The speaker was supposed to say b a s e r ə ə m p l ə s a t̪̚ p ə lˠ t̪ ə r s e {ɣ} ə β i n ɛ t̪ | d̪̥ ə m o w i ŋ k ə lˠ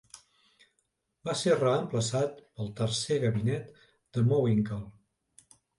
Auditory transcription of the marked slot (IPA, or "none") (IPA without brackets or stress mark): ɣ